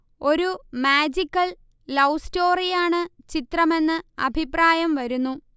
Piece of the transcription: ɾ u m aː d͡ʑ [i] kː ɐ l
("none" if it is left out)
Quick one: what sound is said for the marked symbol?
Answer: i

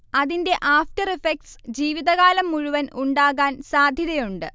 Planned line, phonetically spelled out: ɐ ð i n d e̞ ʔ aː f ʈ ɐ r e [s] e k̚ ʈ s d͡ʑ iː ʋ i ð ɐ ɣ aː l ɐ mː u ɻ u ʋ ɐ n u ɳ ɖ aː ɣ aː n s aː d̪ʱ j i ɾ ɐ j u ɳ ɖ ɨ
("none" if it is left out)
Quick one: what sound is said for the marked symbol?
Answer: f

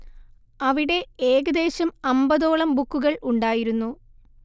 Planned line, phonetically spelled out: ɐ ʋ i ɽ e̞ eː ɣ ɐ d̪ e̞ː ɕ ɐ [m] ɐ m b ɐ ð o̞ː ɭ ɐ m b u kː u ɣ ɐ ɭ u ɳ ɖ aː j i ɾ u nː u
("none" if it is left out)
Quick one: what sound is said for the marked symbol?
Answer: m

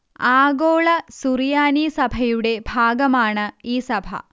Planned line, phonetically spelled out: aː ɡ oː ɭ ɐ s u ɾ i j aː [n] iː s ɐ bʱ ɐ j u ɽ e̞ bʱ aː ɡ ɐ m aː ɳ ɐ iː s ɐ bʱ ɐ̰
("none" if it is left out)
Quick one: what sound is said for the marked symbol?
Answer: n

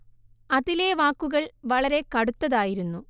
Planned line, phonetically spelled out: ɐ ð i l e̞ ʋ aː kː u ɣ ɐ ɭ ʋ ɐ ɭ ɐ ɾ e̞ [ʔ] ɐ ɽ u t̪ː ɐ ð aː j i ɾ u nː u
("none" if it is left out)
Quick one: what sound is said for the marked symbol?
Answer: k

